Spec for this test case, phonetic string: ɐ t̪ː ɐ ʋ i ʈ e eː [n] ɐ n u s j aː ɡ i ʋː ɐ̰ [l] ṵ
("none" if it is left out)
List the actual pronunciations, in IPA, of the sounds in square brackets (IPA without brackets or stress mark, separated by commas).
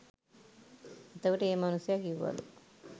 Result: m, l